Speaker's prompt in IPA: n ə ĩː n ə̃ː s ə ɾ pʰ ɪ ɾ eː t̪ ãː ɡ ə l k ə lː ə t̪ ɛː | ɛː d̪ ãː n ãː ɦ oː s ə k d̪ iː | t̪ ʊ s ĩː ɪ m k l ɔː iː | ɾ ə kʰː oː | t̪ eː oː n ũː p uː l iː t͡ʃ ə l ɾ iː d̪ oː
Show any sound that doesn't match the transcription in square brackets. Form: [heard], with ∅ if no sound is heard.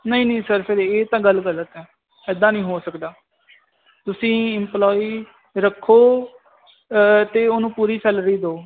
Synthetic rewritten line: n ə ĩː n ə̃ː s ə ɾ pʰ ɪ ɾ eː t̪ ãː ɡ ə l [ɡ] ə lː ə t̪ ɛː | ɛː d̪ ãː n [ĩː] ɦ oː s ə k d̪ [aː] | t̪ ʊ s ĩː ɪ m [p] l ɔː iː | ɾ ə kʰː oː | t̪ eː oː n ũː p uː [ɾ] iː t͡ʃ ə l ɾ iː d̪ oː